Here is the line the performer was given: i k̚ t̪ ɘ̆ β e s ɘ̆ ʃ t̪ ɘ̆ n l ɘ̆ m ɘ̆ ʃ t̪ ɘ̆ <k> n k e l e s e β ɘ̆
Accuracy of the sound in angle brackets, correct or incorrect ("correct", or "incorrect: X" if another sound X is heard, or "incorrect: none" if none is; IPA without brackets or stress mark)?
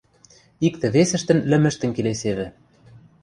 incorrect: none